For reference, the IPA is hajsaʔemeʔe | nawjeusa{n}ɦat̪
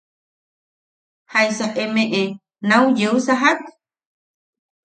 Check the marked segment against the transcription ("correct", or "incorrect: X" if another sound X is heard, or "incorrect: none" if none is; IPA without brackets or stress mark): incorrect: none